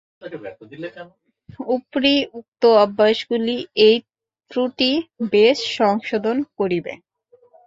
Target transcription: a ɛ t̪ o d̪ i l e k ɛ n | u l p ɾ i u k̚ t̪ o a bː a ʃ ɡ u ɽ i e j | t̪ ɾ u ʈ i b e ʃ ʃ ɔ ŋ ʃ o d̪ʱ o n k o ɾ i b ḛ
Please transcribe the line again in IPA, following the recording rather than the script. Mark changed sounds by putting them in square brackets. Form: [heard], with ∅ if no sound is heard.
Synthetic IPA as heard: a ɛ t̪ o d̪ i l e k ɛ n | u [∅] p ɾ i u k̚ t̪ o a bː a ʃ ɡ u [l] i e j | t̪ ɾ u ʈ i b e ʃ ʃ ɔ ŋ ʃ o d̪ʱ o n k o ɾ i b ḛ